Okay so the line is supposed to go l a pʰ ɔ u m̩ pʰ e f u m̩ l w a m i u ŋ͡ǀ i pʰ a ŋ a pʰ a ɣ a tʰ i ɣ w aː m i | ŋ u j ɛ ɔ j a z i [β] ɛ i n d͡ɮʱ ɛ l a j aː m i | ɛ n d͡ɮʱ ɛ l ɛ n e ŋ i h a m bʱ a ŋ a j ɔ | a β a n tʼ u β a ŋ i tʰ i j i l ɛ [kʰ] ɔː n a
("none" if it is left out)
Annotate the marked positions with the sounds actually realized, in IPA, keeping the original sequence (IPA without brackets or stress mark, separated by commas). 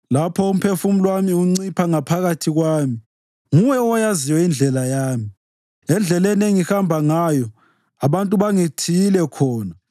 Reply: w, kʰ